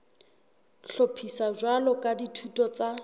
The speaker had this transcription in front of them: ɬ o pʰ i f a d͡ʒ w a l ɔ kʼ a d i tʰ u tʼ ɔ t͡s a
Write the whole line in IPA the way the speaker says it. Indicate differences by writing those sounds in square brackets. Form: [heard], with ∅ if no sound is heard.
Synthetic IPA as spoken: ɬ o pʰ i [s] a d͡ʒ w a l ɔ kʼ a d i tʰ u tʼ ɔ t͡s a